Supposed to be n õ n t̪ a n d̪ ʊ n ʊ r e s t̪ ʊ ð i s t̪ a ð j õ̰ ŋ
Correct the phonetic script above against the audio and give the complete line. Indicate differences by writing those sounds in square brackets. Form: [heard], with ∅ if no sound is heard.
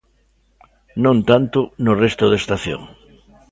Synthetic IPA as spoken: n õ n t̪ a n [t̪] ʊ n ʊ r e s t̪ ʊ ð [e] s t̪ a [θ] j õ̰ ŋ

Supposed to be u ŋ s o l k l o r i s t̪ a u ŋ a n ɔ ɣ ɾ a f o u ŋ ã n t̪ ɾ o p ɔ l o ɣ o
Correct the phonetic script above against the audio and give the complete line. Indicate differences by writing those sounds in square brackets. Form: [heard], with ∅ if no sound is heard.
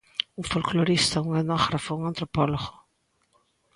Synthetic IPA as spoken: u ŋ [f] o l k l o [ɾ] i s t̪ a u ŋ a n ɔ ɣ ɾ a f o u ŋ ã n t̪ ɾ o p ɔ l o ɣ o

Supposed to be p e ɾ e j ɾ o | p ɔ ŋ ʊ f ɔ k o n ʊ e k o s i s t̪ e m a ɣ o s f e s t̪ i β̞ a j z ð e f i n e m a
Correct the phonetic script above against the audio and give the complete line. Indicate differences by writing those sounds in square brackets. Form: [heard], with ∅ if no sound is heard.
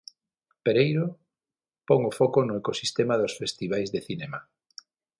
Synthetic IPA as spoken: p e ɾ e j ɾ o | p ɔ ŋ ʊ f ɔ k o n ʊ e k o s i s t̪ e m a [ð] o s f e s t̪ i β̞ a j z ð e [θ] i n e m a

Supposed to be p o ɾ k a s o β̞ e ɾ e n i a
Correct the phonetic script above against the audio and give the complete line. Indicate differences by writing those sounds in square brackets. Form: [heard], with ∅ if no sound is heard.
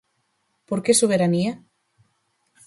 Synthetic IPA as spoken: p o ɾ k [e] s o β̞ e ɾ [a] n i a

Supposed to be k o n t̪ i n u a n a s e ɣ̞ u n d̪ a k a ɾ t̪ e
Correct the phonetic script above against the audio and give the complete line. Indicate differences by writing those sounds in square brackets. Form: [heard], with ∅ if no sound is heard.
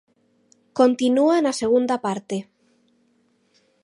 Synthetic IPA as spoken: k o n t̪ i n u a n a s e ɣ̞ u n d̪ a [p] a ɾ t̪ e

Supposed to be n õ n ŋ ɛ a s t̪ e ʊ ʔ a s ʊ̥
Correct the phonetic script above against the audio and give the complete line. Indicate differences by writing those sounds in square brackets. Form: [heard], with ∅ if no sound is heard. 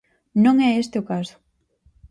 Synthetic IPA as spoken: n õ [∅] ŋ ɛ [e] s t̪ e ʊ [k] a s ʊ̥

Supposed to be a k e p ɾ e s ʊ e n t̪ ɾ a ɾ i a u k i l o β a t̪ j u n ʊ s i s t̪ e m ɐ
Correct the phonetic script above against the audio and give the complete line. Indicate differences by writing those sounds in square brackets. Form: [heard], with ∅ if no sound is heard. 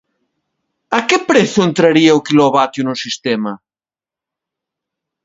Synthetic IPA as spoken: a k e p ɾ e [θ] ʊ e n t̪ ɾ a ɾ i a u k i l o β a t̪ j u n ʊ s i s t̪ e m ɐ

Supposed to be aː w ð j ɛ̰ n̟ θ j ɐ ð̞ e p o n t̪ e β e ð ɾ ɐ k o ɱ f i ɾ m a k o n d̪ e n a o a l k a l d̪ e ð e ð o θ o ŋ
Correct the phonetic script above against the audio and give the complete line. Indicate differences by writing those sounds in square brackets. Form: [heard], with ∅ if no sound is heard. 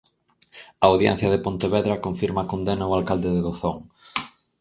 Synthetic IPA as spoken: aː w ð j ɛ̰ n̟ θ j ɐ ð̞ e p o n t̪ e β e ð ɾ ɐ k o ɱ f i ɾ m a k o n d̪ e n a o a l k a l d̪ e ð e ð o θ o ŋ

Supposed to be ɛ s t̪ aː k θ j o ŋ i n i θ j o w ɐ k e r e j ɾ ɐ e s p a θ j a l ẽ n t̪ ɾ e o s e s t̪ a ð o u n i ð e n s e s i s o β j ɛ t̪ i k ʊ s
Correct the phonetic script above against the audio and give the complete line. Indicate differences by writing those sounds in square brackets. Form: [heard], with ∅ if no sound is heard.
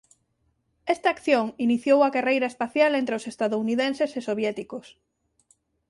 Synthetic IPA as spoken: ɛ s t̪ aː k θ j o ŋ i n i θ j o w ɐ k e r e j ɾ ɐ e s p a θ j a l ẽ n t̪ ɾ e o s e s t̪ a ð o u n i ð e n s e s [e] s o β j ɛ t̪ i k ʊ s

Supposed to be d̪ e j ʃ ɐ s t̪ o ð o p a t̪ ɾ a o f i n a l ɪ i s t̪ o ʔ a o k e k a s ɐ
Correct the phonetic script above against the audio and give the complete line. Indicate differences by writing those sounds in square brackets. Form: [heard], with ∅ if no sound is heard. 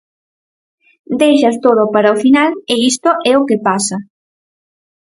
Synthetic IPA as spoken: d̪ e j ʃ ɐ s t̪ o ð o p a [∅] ɾ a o f i n a l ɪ i s t̪ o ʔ [ɛ] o k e [p] a s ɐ

